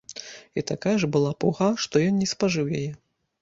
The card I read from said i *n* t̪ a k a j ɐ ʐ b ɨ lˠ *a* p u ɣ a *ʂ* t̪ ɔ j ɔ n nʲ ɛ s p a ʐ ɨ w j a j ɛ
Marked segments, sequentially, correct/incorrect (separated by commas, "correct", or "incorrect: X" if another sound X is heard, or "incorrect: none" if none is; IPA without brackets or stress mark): incorrect: none, correct, correct